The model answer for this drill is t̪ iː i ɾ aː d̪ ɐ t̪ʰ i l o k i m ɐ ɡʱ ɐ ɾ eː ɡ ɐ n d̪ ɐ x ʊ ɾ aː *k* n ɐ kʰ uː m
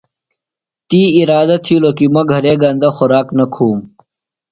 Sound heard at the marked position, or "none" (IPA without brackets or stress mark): k